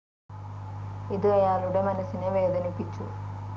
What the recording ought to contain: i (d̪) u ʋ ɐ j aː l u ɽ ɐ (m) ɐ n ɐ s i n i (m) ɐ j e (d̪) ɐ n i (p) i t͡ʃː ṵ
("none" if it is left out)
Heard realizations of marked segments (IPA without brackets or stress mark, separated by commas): d̪, m, m, d̪, p